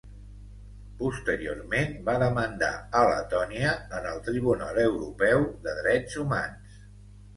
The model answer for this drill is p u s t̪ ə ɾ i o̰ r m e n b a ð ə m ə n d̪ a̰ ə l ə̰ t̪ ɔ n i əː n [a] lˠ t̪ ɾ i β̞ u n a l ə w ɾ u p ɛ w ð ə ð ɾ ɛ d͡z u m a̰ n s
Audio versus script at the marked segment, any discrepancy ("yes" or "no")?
yes